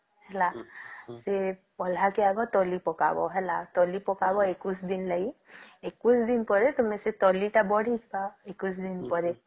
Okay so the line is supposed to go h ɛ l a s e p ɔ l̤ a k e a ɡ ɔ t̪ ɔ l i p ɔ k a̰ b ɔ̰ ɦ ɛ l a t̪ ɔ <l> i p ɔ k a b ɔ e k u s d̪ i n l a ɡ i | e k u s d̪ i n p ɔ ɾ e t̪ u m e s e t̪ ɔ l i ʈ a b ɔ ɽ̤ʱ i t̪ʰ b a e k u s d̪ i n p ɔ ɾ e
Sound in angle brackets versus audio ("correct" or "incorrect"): correct